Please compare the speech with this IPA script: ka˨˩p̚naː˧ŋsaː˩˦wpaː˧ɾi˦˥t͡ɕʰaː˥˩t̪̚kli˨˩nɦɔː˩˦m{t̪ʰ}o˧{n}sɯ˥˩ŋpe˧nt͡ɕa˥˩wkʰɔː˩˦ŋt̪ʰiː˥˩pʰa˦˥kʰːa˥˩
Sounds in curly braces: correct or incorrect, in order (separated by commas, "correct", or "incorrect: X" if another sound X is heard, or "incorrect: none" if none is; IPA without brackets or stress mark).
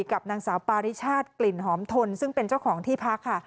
correct, correct